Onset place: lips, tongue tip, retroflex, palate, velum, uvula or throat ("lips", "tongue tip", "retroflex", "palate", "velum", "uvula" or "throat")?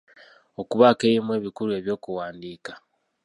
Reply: velum